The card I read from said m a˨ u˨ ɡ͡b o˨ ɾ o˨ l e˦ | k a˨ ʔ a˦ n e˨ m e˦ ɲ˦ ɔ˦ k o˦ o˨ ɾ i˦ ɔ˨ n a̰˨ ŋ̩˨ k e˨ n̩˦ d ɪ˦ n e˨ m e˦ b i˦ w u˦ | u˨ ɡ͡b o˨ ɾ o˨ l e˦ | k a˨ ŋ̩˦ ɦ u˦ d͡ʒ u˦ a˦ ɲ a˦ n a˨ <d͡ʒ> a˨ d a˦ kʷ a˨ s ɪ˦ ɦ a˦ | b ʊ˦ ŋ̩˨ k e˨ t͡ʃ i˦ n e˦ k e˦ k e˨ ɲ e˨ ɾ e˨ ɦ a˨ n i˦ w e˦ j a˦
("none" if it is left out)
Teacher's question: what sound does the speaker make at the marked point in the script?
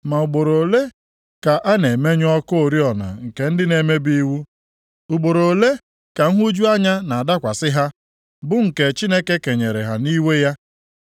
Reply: none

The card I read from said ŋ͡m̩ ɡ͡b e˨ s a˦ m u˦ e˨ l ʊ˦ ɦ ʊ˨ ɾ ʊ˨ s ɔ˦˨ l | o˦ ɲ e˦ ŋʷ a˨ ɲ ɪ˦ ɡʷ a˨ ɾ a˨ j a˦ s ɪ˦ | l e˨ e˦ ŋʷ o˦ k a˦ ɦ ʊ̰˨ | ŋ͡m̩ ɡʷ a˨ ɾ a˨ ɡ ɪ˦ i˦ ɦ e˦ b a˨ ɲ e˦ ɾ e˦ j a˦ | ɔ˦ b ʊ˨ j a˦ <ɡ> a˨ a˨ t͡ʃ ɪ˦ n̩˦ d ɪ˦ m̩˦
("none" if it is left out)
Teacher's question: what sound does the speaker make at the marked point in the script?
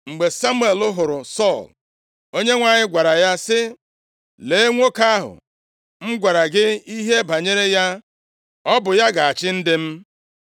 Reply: ɡ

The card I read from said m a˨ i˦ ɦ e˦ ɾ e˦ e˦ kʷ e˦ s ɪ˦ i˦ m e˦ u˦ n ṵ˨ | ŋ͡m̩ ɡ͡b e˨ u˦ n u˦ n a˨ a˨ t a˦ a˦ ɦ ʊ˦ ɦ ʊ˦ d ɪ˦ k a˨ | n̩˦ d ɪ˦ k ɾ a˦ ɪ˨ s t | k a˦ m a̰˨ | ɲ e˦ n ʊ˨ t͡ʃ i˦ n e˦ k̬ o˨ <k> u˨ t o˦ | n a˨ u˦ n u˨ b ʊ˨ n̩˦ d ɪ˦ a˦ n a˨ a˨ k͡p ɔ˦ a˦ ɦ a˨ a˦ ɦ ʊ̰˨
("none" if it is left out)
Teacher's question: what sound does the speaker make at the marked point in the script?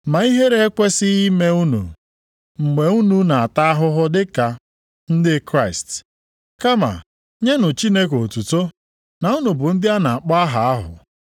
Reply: t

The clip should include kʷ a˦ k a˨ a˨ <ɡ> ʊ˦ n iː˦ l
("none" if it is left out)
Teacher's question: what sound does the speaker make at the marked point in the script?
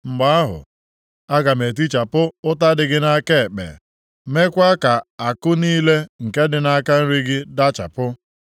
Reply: k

